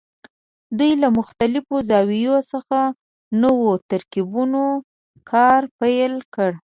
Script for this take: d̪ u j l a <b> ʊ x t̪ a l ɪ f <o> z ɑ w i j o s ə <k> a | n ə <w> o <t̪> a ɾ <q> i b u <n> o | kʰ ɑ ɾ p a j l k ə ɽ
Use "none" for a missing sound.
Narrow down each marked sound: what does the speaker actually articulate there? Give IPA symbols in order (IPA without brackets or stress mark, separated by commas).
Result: m, o, x, w, t̪, k, n